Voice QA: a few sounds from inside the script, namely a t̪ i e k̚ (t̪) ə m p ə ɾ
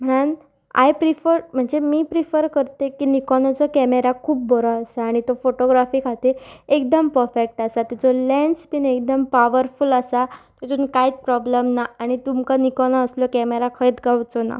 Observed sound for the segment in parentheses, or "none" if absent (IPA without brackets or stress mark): d̪